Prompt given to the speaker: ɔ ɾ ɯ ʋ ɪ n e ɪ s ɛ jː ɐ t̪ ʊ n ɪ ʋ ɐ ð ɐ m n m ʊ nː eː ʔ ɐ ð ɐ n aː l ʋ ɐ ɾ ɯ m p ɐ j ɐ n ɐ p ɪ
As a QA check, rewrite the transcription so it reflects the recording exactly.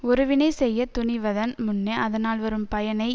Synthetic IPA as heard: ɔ ɾ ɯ ʋ ɪ n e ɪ s ɛ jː ɐ t̪ ʊ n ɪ ʋ ɐ ð ɐ n m ʊ nː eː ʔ ɐ ð ɐ n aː l ʋ ɐ ɾ ɯ m p ɐ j ɐ n ɐ ɪ